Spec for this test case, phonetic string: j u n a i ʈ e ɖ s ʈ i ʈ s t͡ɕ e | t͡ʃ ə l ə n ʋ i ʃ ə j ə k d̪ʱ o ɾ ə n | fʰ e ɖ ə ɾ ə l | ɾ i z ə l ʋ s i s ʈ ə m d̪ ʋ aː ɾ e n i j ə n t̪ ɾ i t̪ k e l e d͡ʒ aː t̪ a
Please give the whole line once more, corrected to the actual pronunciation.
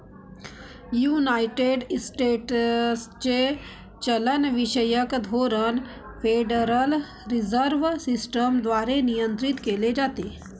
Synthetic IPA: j u n a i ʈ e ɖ s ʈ e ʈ s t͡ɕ e | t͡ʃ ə l ə n ʋ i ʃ ə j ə k d̪ʱ o ɾ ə n | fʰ e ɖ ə ɾ ə l | ɾ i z ə ɾ ʋ s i s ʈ ə m d̪ ʋ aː ɾ e n i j ə n t̪ ɾ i t̪ k e l e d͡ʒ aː t̪ e